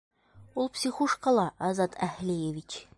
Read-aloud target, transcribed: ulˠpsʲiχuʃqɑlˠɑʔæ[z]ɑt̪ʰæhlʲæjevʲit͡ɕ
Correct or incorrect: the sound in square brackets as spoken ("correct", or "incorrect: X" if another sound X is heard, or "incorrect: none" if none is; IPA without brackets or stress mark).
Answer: correct